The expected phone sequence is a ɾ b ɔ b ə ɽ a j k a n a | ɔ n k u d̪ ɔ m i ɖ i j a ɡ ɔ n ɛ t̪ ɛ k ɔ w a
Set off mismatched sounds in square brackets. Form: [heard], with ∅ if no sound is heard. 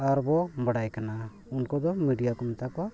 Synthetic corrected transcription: a ɾ b ɔ b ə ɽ a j k a n a | [u] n k [ɔ] d̪ ɔ m i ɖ i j a [k] ɔ [m] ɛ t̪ [a] k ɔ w a